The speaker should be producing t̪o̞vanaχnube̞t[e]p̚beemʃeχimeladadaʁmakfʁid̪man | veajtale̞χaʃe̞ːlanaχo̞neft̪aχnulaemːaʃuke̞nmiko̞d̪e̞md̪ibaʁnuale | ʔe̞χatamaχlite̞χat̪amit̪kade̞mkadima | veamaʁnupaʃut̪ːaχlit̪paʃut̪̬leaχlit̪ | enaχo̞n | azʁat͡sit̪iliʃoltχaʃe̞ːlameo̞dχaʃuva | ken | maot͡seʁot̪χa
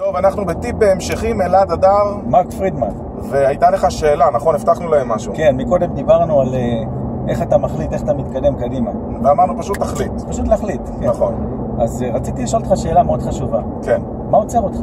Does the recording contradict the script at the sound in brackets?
yes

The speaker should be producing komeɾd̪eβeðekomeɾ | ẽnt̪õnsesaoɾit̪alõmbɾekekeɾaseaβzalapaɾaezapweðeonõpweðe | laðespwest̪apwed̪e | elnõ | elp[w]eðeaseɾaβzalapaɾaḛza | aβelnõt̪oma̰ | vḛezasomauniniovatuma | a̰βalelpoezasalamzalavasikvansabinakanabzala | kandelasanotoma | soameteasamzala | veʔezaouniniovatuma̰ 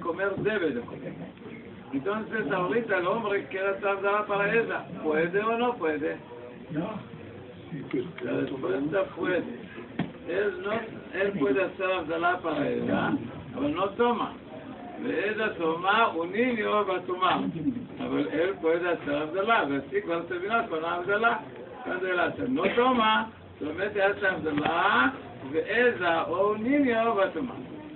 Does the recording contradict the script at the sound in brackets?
no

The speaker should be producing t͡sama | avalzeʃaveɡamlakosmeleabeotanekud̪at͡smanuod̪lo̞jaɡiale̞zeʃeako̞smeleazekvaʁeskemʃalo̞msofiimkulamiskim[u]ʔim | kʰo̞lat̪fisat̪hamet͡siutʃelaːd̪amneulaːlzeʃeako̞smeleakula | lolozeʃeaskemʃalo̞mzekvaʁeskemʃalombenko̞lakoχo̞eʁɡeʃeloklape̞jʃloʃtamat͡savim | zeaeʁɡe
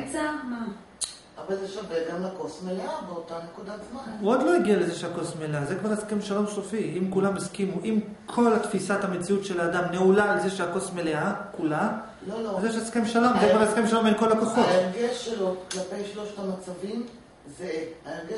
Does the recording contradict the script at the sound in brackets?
no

